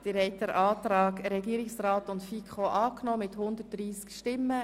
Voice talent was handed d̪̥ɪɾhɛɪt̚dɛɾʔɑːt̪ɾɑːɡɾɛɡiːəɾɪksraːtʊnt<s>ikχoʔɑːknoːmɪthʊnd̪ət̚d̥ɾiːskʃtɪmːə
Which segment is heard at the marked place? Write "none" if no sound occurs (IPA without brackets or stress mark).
f